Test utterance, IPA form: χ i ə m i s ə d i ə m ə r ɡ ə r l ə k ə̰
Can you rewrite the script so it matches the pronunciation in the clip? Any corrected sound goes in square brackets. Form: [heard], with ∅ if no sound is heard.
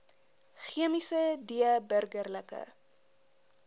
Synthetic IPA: χ i ə m i s ə d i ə [b] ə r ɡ ə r l ə k ə̰

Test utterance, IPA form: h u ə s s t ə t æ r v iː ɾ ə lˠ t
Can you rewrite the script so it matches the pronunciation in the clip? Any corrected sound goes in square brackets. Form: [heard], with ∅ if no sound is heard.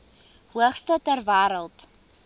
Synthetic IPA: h u ə [χ] s t ə t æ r v [æː] ɾ ə lˠ t

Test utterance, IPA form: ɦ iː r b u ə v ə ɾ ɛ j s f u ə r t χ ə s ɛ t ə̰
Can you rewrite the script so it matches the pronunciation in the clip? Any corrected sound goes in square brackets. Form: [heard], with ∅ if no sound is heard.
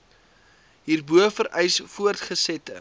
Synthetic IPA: ɦ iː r b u ə [f] ə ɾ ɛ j s f u ə r t χ ə s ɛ t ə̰

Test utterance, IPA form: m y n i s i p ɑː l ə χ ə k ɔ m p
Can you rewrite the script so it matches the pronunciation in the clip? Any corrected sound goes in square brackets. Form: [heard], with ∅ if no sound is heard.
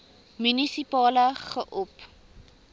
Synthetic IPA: m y n i s i p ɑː l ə χ ə [ʔ] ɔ [∅] p

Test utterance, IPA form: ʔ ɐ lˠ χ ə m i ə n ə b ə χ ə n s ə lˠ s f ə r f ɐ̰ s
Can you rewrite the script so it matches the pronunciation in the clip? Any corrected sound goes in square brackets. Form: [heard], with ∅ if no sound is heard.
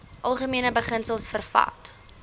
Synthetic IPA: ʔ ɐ lˠ χ ə m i ə n ə b ə χ ə n s ə lˠ s f ə r f ɐ̰ [t]

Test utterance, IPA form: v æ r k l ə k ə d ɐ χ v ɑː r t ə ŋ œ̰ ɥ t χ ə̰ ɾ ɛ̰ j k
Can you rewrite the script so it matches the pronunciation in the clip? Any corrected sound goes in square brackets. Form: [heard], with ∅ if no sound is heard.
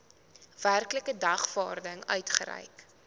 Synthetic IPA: v æ r k l ə k ə d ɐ χ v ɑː r [d] ə ŋ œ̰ ɥ t χ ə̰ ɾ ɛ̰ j k

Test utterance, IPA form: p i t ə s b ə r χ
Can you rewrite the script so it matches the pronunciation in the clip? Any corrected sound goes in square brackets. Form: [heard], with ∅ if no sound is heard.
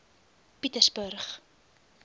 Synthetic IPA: p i t ə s b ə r χ

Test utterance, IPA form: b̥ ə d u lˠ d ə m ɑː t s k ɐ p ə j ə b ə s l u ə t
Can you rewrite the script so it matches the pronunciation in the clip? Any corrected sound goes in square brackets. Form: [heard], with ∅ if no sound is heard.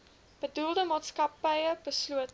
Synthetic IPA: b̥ ə d u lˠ d ə m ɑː t s k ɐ p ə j ə b ə s l u ə t

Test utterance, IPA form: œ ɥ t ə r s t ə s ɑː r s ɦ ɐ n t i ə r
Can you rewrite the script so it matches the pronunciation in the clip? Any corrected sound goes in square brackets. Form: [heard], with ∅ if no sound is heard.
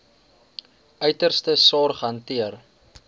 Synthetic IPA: œ ɥ t ə r s t ə s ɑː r [χ] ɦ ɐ n t i ə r

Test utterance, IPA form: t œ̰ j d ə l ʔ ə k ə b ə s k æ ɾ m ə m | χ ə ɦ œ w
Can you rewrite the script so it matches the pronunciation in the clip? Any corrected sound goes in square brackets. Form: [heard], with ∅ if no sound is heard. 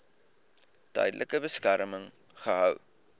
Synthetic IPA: t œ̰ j d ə l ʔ ə k ə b ə s k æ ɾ m ə [ŋ] | χ ə ɦ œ w

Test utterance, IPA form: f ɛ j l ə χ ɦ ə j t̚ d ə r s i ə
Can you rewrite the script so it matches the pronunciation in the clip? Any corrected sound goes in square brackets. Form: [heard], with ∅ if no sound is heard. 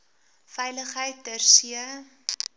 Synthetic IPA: f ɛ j l ə χ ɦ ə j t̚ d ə r s i ə

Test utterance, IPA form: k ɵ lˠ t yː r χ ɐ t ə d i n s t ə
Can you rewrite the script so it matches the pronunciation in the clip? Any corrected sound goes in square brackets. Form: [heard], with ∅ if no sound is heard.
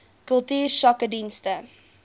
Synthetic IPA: k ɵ lˠ t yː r [s] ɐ [k] ə d i n s t ə

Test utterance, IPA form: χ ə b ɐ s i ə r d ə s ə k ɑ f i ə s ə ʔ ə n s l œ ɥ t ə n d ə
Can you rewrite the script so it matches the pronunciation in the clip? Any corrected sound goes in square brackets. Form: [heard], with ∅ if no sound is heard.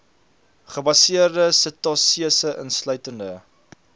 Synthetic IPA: χ ə b ɐ s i ə r d ə s ə [t] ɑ [s] i ə s ə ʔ ə n s l œ ɥ t ə n d ə

